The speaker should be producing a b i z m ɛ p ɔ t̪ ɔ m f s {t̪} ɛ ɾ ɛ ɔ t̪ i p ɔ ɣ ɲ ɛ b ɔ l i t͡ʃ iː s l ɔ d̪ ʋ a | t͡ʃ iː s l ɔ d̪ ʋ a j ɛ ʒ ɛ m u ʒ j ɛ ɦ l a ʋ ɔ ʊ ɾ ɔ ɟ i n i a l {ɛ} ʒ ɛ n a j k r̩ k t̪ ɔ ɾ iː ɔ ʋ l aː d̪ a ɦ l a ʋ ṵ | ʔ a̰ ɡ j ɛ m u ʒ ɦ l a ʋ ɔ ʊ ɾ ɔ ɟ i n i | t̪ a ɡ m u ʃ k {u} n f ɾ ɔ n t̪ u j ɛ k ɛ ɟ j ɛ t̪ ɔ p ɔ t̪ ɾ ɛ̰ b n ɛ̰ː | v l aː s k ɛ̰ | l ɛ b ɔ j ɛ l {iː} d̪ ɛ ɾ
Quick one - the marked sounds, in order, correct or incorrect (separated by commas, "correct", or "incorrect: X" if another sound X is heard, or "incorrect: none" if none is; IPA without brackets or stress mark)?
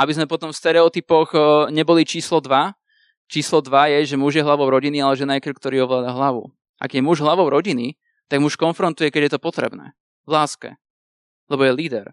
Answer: correct, correct, incorrect: ɔ, correct